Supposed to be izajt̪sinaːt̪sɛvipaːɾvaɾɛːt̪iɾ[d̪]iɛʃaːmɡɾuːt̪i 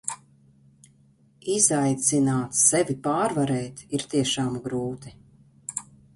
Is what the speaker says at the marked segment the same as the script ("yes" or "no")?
no